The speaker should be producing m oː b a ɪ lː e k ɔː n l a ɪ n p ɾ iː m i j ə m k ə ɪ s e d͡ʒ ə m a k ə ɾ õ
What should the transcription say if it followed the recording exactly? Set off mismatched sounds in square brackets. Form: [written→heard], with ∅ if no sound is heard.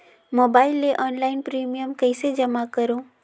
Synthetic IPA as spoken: m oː b a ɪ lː e [k→ʔ] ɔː n l a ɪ n p ɾ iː m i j ə m k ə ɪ s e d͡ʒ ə m a k ə ɾ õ